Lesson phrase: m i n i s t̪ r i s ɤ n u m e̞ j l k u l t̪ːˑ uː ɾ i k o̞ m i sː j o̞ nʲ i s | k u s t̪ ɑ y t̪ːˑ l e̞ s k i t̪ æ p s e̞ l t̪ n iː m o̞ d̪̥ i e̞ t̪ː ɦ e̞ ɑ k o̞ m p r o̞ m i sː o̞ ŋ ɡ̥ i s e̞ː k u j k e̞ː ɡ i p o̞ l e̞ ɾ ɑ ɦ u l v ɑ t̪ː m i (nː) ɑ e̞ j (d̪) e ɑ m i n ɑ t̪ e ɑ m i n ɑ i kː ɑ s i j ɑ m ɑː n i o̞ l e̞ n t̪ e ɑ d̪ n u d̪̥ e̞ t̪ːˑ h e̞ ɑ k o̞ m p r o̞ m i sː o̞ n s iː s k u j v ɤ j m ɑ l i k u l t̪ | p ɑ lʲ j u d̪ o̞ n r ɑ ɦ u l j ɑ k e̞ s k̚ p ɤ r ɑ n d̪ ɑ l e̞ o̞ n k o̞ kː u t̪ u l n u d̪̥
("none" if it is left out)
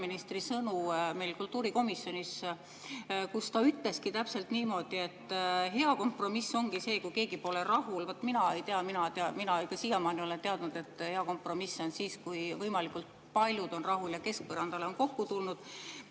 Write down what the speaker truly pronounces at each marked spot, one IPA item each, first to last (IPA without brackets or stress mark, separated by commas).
n, t̪